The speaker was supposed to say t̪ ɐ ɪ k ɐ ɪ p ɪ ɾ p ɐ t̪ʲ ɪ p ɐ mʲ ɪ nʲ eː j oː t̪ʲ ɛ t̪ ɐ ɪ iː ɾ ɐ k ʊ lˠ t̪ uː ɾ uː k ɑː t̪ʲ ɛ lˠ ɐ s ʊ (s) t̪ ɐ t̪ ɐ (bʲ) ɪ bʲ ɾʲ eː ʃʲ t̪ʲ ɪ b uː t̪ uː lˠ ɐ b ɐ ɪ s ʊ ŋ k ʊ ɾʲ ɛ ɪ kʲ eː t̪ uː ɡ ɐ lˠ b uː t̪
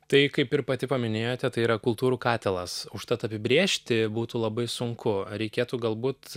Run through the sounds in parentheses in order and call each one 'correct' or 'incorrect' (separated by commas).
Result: incorrect, incorrect